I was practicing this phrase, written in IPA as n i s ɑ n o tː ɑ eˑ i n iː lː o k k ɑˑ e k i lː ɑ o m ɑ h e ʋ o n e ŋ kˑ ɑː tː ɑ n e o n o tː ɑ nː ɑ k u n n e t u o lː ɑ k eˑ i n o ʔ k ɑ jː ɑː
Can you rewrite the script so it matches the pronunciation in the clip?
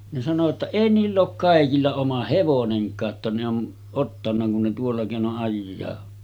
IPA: n e s ɑ n o tː ɑ eˑ i n iː lː oː k k ɑˑ e k i lː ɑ o m ɑ h e ʋ o n e ŋ kˑ ɑː tː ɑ n e o n o tː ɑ nː ɑ k u n n e t u o lː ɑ k eˑ i n o ʔ ʔ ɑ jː ɑː